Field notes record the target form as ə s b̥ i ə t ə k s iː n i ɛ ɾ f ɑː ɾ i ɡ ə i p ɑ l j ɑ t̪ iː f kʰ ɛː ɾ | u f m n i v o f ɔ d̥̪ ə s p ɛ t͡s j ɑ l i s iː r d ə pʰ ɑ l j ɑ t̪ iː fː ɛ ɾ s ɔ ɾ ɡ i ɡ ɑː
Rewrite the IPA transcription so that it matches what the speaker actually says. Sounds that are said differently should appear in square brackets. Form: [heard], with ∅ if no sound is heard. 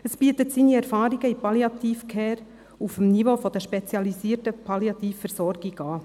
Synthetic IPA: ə s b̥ i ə t ə [t] s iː n i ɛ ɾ f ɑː ɾ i ɡ ə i p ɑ l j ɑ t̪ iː f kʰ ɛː ɾ | u f m n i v o f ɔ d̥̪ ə [ʃ] p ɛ t͡s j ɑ l i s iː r [t] ə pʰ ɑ l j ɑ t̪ iː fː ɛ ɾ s ɔ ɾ ɡ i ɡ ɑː